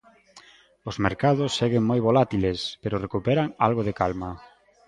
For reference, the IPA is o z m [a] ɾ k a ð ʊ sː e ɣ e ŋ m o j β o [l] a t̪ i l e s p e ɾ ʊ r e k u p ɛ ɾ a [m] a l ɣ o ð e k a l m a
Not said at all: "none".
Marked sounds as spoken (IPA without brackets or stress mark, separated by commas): e, l, ŋ